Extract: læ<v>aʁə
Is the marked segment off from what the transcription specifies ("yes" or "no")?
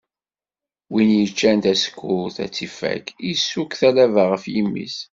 no